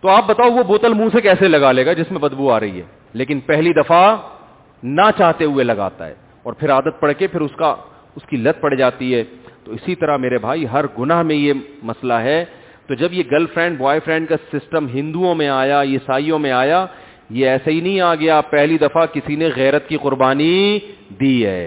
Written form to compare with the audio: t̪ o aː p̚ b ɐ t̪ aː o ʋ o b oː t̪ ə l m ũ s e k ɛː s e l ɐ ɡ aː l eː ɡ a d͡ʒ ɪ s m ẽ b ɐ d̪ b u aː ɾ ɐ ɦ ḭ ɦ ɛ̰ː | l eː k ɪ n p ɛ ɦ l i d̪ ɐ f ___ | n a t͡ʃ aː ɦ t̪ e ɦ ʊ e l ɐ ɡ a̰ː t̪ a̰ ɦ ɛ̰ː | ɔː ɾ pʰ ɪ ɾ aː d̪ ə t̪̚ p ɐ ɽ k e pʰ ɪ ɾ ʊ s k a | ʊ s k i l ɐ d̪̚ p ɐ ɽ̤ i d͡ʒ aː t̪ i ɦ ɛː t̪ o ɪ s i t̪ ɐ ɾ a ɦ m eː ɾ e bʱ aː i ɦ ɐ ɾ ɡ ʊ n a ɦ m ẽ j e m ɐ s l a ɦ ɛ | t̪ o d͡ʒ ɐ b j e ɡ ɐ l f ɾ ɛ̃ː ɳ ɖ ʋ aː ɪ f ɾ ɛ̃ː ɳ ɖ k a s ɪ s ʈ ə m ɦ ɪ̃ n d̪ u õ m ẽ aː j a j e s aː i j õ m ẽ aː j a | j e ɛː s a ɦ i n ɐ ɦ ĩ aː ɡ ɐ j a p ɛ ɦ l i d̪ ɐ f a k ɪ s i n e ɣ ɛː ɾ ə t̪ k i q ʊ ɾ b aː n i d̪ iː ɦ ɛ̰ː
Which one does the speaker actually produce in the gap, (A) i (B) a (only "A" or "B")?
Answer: B